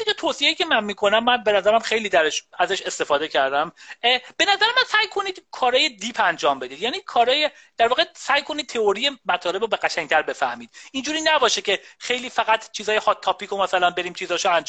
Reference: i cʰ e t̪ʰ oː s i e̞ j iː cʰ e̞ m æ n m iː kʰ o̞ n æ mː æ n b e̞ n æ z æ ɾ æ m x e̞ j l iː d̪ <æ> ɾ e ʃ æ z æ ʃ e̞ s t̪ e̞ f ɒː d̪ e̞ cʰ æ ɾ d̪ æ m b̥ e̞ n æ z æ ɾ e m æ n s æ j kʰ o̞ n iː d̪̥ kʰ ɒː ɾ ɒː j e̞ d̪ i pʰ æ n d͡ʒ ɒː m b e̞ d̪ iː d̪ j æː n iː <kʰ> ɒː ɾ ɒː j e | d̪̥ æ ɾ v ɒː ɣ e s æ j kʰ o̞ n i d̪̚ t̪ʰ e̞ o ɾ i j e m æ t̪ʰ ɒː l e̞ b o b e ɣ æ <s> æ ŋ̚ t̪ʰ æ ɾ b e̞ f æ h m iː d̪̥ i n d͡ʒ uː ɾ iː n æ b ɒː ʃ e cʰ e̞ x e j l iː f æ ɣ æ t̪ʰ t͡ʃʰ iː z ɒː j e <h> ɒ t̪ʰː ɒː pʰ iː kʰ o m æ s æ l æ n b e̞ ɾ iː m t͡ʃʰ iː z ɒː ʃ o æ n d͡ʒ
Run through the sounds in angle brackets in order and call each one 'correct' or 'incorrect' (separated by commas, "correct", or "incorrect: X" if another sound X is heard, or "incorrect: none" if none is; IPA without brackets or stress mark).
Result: correct, correct, incorrect: ʃ, correct